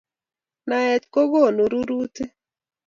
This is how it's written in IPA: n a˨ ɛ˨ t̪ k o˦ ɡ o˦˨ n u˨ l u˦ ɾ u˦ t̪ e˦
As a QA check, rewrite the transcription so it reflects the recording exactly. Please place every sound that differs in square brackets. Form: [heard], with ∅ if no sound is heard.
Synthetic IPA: n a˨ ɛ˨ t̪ k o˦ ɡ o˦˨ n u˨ [ɾ] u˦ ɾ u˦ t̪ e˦